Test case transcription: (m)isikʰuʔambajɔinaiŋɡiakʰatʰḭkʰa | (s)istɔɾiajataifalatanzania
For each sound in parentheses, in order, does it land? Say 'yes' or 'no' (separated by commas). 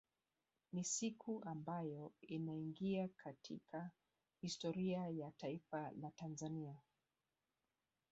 no, no